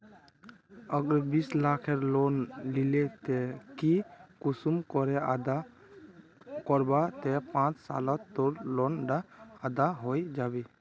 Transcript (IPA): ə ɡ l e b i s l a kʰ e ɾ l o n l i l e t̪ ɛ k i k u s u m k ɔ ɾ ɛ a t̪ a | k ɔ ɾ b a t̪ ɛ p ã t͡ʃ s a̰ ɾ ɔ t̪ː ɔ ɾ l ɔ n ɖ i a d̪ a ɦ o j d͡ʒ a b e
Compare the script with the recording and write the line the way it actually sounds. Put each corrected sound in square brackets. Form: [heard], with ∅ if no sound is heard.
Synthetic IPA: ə ɡ [ɾ] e b i s l a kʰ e ɾ l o n l i l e t̪ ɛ k i k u s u m k ɔ ɾ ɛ a [d̪] a | k ɔ ɾ b a t̪ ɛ p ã t͡ʃ s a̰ [l] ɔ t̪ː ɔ ɾ l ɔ n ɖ [a] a d̪ a ɦ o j d͡ʒ a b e

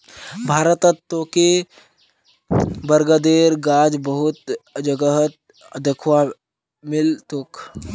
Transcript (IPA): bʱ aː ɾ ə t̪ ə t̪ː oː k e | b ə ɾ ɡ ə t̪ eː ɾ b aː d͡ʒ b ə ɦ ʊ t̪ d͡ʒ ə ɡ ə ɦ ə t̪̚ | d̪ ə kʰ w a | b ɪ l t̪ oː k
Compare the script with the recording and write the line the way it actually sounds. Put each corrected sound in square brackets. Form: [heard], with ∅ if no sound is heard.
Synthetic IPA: bʱ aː ɾ ə t̪ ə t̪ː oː k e | b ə ɾ ɡ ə [d̪] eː ɾ [ɡ] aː d͡ʒ b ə ɦ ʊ t̪ d͡ʒ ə ɡ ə ɦ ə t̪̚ | d̪ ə kʰ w a | [m] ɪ l t̪ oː k

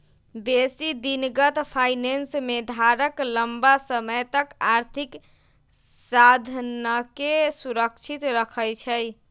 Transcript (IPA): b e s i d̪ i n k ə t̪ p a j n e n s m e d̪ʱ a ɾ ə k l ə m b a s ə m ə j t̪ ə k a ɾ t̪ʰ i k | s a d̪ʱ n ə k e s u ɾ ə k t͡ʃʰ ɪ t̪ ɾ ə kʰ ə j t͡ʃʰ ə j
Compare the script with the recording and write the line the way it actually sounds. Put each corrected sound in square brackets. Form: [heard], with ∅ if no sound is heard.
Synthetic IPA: b e s i d̪ i n [ɡ] ə t̪ [pʰ] a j n e n s m e d̪ʱ a ɾ ə k l ə m b a s ə m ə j t̪ ə k a ɾ t̪ʰ i k | s a d̪ʱ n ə k e s u ɾ ə k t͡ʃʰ [i] t̪ ɾ ə kʰ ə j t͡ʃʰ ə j

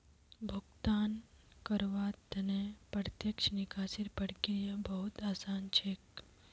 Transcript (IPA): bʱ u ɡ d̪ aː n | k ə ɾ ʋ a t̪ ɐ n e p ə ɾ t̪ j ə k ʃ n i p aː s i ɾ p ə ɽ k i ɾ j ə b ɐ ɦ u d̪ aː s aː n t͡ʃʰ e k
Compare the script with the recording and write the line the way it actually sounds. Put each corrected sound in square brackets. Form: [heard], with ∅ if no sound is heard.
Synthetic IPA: bʱ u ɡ [t̪] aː n | k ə ɾ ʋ a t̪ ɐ n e p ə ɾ t̪ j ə k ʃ n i [k] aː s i ɾ p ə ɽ k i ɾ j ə b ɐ ɦ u [t̪] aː s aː n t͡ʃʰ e k

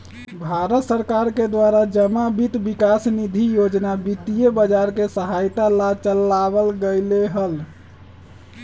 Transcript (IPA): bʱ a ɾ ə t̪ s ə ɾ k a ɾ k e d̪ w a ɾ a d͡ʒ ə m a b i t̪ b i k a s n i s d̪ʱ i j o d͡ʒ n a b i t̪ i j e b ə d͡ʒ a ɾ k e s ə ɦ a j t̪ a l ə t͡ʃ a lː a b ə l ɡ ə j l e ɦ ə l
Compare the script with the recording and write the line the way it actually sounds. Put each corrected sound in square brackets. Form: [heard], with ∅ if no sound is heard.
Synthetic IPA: bʱ a ɾ ə t̪ s ə ɾ k a ɾ k e d̪ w a ɾ a d͡ʒ ə m a b i t̪ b i k a s n i [∅] d̪ʱ i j o d͡ʒ n a b i t̪ i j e b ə d͡ʒ a ɾ k e s ə ɦ a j t̪ a l [a] t͡ʃ [ə] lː a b ə l ɡ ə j l e ɦ ə l

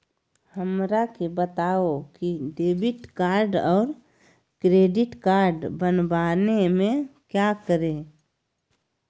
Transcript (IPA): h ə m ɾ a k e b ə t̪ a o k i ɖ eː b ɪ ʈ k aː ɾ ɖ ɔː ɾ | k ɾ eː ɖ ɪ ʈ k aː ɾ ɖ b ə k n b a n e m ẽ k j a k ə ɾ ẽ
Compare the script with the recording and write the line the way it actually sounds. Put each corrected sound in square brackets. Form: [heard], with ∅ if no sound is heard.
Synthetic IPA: h ə m ɾ a k e b ə t̪ a o k i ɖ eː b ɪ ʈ k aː ɾ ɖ ɔː ɾ | k ɾ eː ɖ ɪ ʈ k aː ɾ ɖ b ə [∅] n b a n e m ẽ k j a k ə ɾ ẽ

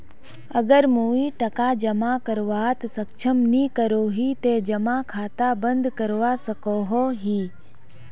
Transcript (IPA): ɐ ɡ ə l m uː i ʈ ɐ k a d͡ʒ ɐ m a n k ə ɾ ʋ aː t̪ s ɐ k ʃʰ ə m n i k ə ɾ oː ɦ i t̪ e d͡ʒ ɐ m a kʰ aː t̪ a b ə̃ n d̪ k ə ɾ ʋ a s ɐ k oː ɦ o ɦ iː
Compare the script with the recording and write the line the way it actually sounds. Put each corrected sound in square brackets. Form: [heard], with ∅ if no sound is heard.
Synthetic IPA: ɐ ɡ ə [ɾ] m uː i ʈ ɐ k a d͡ʒ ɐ m a [∅] k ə ɾ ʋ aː t̪ s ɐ k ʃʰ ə m n i k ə ɾ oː ɦ i t̪ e d͡ʒ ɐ m a kʰ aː t̪ a b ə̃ n d̪ k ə ɾ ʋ a s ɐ k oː ɦ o ɦ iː

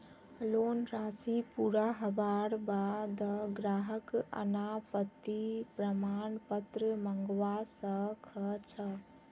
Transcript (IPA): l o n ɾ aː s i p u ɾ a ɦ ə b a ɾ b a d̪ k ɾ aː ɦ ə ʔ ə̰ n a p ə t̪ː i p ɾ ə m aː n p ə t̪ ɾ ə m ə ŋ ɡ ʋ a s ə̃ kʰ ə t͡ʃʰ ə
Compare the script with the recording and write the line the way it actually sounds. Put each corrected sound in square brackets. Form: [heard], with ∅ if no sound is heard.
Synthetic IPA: l o n ɾ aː s i p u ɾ a ɦ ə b a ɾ b a d̪ [ɡ] ɾ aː ɦ ə [k] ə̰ n a p ə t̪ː i p ɾ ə m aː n p ə t̪ ɾ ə m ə ŋ ɡ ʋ a s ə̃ kʰ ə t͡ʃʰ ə

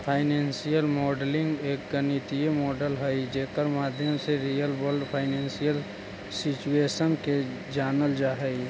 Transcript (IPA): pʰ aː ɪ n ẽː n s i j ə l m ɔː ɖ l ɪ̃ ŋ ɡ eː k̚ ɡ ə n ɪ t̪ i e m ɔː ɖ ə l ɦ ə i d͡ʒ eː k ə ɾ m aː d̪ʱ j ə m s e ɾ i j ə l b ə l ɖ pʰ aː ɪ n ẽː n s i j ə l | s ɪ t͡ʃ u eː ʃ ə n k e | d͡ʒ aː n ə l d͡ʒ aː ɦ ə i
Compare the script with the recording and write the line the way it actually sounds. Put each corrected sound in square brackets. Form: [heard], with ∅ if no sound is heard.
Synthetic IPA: pʰ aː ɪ n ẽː n s i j ə l m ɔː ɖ l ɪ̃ ŋ ɡ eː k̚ ɡ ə n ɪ t̪ i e m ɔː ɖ ə l ɦ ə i d͡ʒ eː k ə ɾ m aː d̪ʱ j ə m s e ɾ i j ə l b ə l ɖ pʰ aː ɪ n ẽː n s i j ə l | s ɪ t͡ʃ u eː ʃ ə n k e | d͡ʒ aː n ə l d͡ʒ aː ɦ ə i

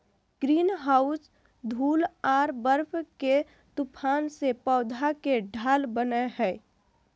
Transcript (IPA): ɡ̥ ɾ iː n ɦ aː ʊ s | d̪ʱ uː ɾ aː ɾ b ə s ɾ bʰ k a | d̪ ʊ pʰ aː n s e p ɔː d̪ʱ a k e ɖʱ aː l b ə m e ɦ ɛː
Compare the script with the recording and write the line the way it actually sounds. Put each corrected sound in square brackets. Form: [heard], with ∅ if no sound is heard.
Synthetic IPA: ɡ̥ ɾ iː n ɦ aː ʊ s | d̪ʱ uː [l] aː ɾ b ə [∅] ɾ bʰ k [e] | [t̪] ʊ pʰ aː n s e p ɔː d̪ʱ a k e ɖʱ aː l b ə [n] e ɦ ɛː

